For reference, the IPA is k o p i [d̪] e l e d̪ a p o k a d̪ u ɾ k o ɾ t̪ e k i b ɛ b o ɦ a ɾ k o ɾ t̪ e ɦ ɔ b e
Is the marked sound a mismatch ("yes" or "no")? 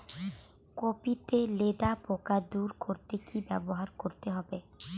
yes